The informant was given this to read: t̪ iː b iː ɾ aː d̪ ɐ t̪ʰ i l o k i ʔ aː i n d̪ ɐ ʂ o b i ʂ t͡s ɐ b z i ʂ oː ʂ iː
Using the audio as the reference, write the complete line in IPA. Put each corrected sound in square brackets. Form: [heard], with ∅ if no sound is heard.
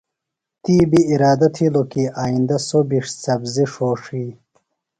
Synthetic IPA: t̪ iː b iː ɾ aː d̪ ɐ t̪ʰ i l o k i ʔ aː i n d̪ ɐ [s] o b i ʂ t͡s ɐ b z i ʂ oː ʂ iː

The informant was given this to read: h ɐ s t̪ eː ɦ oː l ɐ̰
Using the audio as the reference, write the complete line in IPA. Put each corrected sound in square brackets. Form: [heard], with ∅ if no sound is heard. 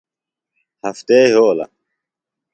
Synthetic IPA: h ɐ [f] t̪ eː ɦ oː l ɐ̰

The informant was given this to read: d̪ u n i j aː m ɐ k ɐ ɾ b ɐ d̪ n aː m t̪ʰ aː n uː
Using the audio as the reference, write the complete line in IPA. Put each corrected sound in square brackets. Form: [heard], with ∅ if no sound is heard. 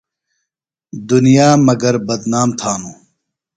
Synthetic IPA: d̪ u n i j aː m ɐ [ɡ] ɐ ɾ b ɐ d̪ n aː m t̪ʰ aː n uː

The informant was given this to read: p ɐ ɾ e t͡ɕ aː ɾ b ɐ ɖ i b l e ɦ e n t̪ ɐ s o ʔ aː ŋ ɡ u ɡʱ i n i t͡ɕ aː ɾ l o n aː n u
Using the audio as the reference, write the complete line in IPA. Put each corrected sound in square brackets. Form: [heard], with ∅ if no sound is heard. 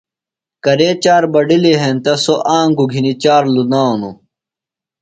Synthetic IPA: [k] ɐ ɾ e t͡ɕ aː ɾ b ɐ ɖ i [∅] l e ɦ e n t̪ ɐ s o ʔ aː ŋ ɡ u ɡʱ i n i t͡ɕ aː ɾ l [u] n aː n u

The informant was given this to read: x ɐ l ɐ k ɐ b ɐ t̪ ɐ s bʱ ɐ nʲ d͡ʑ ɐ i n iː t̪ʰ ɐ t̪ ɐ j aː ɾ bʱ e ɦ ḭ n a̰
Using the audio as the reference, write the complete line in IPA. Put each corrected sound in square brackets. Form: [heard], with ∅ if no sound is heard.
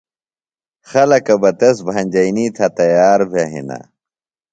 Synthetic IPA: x ɐ l ɐ k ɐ b ɐ t̪ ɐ s bʱ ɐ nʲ d͡ʑ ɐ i n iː t̪ʰ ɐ t̪ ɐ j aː ɾ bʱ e ɦ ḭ n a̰

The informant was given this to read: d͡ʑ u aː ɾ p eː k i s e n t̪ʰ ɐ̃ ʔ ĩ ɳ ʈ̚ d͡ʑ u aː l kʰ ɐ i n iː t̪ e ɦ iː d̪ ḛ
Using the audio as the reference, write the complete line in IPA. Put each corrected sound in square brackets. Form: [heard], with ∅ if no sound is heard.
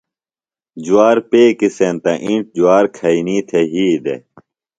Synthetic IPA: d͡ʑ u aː ɾ p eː k i s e n [t̪] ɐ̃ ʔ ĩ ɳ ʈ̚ d͡ʑ u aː [ɾ] kʰ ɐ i n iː [t̪ʰ] e ɦ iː d̪ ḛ

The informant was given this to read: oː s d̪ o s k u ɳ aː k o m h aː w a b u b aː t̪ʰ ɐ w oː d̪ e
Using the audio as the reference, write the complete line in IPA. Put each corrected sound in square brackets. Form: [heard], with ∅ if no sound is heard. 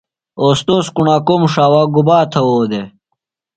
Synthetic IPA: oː s [t̪] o s k u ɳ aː k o m [ʂ] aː w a [ɡ] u b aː t̪ʰ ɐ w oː d̪ e

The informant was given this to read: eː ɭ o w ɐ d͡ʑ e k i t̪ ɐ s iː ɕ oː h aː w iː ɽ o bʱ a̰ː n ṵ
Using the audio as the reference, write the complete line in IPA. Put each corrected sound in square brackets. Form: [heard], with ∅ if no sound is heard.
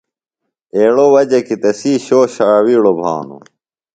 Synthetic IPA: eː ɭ o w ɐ d͡ʑ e k i t̪ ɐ s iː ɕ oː [ɕ] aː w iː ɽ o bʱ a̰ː n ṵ

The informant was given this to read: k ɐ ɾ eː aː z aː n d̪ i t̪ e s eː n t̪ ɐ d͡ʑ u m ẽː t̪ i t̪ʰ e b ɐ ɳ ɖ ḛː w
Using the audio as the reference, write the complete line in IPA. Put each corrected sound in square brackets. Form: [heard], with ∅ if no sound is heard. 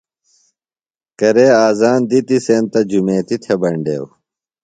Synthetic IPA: k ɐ ɾ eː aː z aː n d̪ i t̪ [i] s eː n t̪ ɐ d͡ʑ u m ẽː t̪ i t̪ʰ e b ɐ ɳ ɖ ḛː w

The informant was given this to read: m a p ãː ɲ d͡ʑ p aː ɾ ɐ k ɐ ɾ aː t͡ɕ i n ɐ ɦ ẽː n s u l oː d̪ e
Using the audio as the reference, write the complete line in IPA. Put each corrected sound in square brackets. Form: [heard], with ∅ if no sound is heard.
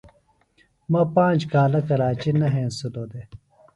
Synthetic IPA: m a p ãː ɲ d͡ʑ [k] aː [l] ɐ k ɐ ɾ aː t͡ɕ i n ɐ ɦ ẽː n s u l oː d̪ e

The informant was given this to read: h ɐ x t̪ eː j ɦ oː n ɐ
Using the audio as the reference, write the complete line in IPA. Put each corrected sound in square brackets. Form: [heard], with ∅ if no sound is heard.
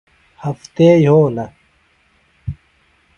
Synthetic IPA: h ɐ [f] t̪ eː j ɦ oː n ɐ

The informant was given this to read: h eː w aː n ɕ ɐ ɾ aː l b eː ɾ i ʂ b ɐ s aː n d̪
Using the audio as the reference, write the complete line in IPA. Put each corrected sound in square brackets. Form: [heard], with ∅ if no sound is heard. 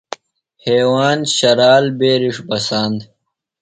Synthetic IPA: h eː w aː n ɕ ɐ ɾ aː l b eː ɾ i ʂ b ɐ s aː n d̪

